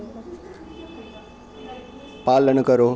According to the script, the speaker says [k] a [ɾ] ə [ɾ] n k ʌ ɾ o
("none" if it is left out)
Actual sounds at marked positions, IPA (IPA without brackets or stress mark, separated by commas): p, l, none